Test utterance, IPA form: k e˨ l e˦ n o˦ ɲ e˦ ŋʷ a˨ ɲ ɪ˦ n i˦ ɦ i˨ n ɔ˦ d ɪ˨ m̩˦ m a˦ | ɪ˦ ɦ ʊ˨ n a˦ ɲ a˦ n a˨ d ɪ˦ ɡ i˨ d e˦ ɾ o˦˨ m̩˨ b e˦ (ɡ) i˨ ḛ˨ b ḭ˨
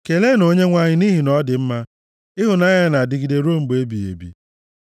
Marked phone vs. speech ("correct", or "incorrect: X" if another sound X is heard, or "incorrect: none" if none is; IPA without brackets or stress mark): incorrect: b